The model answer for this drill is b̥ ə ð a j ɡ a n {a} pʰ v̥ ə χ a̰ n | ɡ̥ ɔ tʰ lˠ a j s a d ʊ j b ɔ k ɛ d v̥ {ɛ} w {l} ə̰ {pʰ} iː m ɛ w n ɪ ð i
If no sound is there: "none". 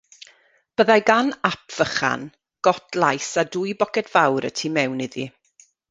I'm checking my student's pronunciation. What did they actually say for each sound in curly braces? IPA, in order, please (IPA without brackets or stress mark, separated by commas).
a, a, ɾ, tʰ